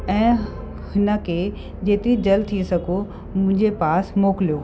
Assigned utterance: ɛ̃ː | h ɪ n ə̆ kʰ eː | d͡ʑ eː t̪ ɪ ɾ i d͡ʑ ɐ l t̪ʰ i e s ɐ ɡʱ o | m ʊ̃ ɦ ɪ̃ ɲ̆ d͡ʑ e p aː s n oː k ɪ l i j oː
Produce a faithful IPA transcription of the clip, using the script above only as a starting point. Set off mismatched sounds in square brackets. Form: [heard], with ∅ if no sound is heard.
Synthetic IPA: ɛ̃ː | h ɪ n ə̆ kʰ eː | d͡ʑ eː t̪ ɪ ɾ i d͡ʑ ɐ l t̪ʰ i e s ɐ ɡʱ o | m ʊ̃ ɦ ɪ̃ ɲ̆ d͡ʑ e p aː s [m] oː k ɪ l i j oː

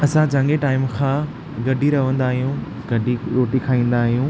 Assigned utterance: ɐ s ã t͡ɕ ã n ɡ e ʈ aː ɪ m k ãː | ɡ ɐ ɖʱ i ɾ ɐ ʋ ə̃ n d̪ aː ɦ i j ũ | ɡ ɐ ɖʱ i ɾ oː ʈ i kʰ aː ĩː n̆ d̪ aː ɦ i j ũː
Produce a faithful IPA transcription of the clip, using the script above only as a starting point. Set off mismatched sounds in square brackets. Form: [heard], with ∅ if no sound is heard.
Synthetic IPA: ɐ s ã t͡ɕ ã [ŋ] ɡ e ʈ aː ɪ m [kʰ] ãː | ɡ ɐ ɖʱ i ɾ ɐ ʋ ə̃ n d̪ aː ɦ i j ũ | ɡ ɐ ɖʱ i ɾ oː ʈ i kʰ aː ĩː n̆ d̪ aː ɦ i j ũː

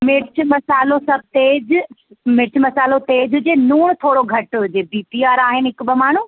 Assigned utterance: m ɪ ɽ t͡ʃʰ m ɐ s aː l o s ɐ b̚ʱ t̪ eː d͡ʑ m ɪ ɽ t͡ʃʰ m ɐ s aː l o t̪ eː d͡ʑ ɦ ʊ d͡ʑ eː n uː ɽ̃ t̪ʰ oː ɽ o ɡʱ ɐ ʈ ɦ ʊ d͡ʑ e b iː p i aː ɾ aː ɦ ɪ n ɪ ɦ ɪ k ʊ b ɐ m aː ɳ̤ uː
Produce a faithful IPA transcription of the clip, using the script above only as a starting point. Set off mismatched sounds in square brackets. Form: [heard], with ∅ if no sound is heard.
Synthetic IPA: m ɪ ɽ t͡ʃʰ m ɐ s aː l o s ɐ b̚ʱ t̪ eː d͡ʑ m ɪ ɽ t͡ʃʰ m ɐ s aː l o t̪ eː d͡ʑ ɦ ʊ d͡ʑ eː n uː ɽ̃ t̪ʰ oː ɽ o ɡʱ ɐ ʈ ɦ ʊ d͡ʑ e b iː p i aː ɾ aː ɦ ɪ n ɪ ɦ ɪ k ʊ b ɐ m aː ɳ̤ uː

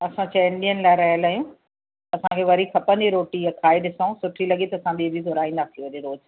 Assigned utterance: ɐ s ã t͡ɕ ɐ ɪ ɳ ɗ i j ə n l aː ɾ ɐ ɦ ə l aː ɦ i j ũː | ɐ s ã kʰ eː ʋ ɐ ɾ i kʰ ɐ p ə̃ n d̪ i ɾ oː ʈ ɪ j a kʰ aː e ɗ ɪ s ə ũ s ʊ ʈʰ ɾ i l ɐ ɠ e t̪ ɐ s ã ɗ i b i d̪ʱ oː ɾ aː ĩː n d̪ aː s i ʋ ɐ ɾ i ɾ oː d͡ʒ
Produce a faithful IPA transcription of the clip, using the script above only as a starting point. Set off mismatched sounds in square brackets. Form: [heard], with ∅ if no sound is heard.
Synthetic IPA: ɐ s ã t͡ɕ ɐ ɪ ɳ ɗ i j ə n l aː ɾ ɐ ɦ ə l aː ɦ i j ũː | ɐ s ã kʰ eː ʋ ɐ ɾ i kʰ ɐ p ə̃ n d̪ i ɾ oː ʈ [i] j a kʰ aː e ɗ ɪ s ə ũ s ʊ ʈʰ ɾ i l ɐ ɠ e t̪ ɐ s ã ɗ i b i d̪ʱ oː ɾ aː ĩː n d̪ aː s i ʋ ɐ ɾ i ɾ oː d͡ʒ

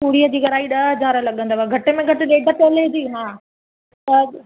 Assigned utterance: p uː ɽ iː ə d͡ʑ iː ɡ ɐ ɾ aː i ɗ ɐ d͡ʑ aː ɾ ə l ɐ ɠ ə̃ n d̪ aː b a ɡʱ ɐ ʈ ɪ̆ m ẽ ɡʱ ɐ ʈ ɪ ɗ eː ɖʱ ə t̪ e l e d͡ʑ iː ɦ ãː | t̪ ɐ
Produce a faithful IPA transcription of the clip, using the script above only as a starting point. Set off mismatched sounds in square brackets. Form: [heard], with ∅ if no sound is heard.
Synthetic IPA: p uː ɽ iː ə d͡ʑ iː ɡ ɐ ɾ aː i ɗ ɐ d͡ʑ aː ɾ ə l ɐ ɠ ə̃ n d̪ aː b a ɡʱ ɐ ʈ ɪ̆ m ẽ ɡʱ ɐ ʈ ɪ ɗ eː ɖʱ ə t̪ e l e d͡ʑ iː ɦ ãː | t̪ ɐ

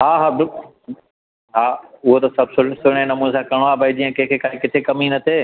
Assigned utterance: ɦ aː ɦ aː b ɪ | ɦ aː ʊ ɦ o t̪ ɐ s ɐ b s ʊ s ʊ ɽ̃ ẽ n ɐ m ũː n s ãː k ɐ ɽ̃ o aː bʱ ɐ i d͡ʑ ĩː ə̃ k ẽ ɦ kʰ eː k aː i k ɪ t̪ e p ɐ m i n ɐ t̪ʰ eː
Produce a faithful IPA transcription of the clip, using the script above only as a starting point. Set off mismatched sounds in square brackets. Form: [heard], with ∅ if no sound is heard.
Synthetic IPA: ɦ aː ɦ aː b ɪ | ɦ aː ʊ ɦ o t̪ ɐ s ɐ b s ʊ s ʊ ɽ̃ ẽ n ɐ m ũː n s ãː k ɐ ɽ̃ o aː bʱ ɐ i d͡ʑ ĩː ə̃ k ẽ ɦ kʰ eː k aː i k ɪ [t̪ʰ] e [k] ɐ m i n ɐ t̪ʰ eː

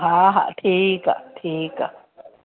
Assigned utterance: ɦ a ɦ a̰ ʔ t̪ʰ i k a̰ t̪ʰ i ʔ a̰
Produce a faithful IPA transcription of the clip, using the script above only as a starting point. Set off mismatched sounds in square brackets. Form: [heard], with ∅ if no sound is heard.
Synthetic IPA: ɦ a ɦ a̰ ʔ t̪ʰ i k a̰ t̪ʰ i [k] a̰

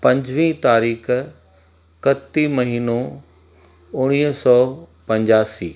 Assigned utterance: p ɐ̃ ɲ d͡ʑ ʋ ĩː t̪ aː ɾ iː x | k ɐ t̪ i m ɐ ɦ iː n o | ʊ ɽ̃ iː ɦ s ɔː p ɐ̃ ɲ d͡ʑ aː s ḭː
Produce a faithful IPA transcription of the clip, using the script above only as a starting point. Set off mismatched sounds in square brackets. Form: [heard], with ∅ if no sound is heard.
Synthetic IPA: p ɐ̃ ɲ d͡ʑ ʋ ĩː t̪ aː ɾ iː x | k ɐ t̪ i m ɐ ɦ iː n o | ʊ ɽ̃ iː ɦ s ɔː p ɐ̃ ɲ d͡ʑ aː s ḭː

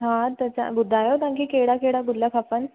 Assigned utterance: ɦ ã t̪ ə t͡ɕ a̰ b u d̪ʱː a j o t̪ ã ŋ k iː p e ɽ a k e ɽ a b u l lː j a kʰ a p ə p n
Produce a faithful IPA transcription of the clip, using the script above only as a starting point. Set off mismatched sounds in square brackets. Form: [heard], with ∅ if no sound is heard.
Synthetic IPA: ɦ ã t̪ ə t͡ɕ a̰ b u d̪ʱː a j o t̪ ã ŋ k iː [k] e ɽ a k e ɽ a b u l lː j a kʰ a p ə [∅] n

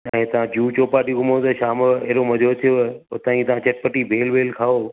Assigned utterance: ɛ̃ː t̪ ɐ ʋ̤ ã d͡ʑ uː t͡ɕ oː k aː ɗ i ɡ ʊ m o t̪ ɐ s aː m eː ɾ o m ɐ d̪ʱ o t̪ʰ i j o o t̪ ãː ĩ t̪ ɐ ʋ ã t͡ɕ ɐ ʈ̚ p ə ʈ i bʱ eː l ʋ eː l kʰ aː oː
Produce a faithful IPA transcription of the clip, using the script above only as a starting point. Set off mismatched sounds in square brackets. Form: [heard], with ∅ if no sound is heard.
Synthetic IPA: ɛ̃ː t̪ ɐ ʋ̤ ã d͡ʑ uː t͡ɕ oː [p] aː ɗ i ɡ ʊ m o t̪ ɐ [ʃ] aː m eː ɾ o m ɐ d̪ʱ o t̪ʰ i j o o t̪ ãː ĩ t̪ ɐ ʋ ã t͡ɕ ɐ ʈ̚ p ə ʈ i bʱ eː l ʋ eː l kʰ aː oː

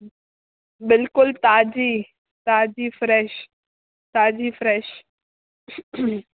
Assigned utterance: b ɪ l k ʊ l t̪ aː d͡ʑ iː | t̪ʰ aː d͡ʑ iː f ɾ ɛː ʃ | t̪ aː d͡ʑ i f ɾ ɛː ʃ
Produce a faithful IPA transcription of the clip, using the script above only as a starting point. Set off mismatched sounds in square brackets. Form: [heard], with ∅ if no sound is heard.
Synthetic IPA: b ɪ l k ʊ l t̪ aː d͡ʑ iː | [t̪] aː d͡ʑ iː f ɾ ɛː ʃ | t̪ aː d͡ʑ i f ɾ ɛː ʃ

